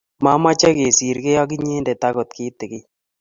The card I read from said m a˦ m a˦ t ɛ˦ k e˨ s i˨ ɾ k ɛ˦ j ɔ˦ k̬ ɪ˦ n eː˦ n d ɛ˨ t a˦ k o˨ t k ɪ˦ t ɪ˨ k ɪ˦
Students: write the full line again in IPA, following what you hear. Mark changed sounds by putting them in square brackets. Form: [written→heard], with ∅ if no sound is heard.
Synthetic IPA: m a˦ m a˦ [t→t͡ʃ] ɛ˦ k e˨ s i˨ ɾ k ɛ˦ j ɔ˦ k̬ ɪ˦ [n→ɲ] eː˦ n d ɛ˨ t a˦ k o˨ t k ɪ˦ t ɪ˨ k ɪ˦